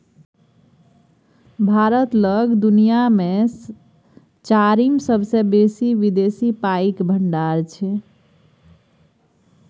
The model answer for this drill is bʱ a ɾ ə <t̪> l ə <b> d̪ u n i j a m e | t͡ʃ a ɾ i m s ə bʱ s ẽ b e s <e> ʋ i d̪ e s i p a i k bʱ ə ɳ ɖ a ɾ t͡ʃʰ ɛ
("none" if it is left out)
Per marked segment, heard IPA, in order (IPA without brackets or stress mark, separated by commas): t̪, ɡ, i